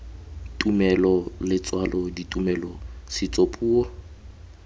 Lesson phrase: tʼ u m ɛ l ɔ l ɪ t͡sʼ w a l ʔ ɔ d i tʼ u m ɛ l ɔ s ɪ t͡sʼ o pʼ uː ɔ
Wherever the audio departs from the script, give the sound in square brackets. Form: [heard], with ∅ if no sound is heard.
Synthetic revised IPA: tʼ u m ɛ l ɔ l ɪ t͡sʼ w a l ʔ ɔ d i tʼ u m ɛ l ɔ s ɪ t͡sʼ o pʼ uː ɔ